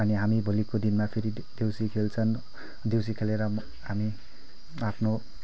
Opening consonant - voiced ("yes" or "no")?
yes